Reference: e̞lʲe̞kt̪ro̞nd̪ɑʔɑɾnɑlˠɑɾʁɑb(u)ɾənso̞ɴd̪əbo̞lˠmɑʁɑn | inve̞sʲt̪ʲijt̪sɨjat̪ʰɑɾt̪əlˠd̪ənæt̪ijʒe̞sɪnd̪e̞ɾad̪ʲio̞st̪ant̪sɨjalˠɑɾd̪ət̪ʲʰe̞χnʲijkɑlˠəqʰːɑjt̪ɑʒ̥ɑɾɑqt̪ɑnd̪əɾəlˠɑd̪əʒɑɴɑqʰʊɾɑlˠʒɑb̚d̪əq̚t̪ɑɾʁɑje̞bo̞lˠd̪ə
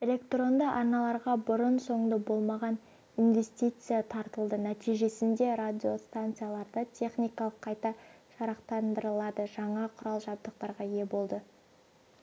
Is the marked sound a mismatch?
yes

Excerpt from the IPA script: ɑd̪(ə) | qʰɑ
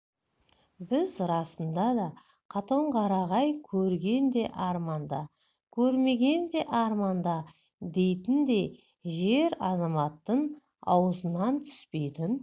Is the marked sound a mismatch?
yes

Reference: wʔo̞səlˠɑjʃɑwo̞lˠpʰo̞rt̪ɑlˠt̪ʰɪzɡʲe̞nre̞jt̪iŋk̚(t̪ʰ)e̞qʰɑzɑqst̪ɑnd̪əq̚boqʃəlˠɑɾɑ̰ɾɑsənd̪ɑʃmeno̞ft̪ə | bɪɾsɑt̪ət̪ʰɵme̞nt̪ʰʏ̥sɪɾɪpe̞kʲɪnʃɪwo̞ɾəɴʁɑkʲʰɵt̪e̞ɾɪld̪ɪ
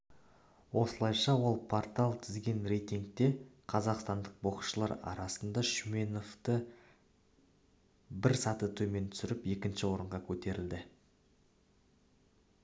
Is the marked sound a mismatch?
yes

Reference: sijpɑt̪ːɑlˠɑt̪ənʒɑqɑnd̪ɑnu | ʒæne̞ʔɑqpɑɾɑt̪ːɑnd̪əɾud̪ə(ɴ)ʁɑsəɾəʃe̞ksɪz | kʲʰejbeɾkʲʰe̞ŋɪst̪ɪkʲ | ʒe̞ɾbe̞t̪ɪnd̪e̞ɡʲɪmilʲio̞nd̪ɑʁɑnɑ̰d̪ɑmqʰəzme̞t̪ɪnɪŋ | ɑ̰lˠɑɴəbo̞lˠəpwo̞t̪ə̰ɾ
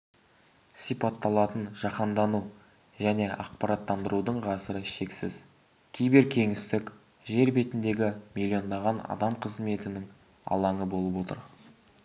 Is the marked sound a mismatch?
no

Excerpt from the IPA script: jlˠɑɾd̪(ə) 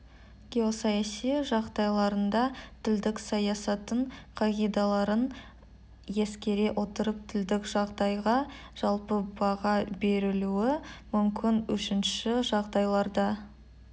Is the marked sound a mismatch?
yes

